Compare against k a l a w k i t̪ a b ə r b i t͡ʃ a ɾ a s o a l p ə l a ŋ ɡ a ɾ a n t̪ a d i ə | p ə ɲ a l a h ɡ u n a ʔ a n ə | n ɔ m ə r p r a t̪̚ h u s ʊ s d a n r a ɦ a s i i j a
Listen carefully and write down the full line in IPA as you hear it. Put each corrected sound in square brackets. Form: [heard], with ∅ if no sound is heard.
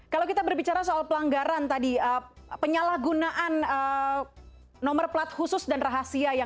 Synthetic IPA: k a l a w k i t̪ a b ə r b i t͡ʃ a ɾ a s o a l p ə l a ŋ ɡ a ɾ a n t̪ a d i ə | p ə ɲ a l a h ɡ u n a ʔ a n ə | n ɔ m ə r p [l] a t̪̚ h u s ʊ s d a n r a ɦ a s i [a] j a